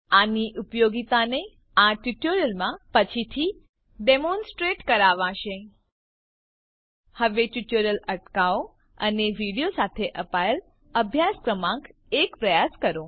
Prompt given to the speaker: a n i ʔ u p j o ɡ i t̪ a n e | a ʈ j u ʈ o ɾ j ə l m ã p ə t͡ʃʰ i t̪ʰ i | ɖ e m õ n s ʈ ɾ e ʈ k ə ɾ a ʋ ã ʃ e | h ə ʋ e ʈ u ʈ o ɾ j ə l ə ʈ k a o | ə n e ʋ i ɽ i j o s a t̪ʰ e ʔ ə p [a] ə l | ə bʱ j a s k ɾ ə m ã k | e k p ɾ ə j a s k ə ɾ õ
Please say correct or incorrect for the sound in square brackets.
correct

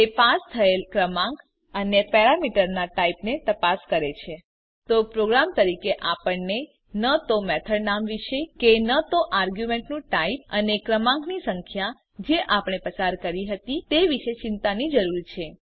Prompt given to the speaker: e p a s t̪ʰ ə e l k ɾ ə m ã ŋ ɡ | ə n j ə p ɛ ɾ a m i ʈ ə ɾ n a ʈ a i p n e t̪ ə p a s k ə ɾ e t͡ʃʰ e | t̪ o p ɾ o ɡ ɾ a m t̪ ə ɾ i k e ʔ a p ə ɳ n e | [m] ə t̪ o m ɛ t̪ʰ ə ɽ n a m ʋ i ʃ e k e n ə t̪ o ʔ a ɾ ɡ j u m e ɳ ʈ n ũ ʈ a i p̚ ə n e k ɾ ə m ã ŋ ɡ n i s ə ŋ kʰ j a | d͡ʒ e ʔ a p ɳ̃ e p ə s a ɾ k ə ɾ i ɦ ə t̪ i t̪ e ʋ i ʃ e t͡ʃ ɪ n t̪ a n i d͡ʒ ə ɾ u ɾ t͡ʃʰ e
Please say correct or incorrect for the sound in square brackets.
incorrect: n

